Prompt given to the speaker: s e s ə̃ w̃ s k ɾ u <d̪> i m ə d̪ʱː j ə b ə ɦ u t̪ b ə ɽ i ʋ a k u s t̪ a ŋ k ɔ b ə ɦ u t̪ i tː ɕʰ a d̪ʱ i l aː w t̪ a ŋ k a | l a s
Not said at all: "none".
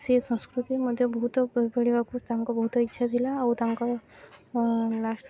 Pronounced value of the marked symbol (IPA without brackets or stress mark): t̪